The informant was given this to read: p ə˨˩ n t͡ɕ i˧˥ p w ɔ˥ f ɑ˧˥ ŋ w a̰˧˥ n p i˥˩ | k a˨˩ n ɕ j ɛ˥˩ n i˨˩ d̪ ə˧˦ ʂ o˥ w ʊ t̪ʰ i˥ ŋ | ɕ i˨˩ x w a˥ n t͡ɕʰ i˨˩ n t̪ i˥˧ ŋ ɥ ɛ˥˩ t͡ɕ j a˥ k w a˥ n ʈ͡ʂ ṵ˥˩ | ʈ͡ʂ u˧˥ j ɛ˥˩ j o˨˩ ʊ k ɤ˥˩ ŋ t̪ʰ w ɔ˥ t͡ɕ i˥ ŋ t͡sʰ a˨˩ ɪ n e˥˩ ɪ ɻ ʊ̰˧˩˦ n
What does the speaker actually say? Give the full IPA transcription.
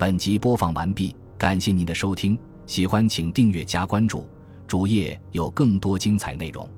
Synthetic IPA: p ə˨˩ n t͡ɕ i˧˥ p w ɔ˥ f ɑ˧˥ ŋ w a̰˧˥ n p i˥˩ | k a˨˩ n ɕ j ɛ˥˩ n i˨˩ d̪ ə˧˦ ʂ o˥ ʊ t̪ʰ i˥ ŋ | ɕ i˨˩ x w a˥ n t͡ɕʰ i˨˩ ŋ t̪ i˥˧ ŋ ɥ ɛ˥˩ t͡ɕ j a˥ k w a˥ n ʈ͡ʂ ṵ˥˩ | ʈ͡ʂ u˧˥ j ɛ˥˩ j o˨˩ ʊ k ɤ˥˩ ŋ t̪ w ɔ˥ t͡ɕ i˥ ŋ t͡sʰ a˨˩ ɪ n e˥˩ ɪ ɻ ʊ̰˧˩˦ ŋ